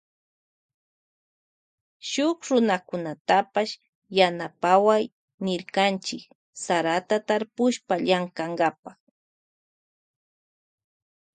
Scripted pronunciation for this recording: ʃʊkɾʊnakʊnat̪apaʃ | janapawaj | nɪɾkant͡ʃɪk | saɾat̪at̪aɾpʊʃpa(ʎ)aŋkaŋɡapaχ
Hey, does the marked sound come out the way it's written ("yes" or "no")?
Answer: yes